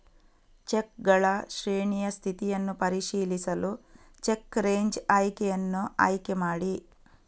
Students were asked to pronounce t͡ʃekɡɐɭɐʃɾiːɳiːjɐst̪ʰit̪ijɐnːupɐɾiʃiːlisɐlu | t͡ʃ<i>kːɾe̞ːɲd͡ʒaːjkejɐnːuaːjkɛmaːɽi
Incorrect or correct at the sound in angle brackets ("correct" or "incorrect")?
incorrect